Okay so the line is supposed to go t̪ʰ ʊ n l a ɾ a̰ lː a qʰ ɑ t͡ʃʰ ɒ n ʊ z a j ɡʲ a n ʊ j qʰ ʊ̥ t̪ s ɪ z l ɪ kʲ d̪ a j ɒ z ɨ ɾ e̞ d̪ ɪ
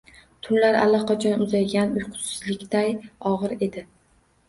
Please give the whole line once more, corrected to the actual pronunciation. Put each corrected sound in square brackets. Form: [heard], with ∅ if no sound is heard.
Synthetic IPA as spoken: t̪ʰ ʊ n l a ɾ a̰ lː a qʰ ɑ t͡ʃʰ ɒ n ʊ z a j ɡʲ a n ʊ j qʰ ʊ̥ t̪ s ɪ z l ɪ kʲ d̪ a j ɒ [ʁ] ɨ ɾ e̞ d̪ ɪ